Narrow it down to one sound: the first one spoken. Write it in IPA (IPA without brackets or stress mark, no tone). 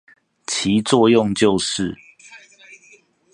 t͡ɕʰ